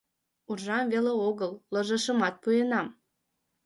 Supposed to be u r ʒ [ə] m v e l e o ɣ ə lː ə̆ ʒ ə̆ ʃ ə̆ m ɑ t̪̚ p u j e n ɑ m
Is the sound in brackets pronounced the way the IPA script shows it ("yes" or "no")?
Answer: no